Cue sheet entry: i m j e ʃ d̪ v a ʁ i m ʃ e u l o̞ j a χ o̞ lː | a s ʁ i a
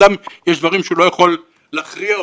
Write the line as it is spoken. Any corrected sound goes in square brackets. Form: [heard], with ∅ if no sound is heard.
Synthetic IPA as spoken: [a] m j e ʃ d̪ v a ʁ i m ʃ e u l o̞ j a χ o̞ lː | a [χ] ʁ i a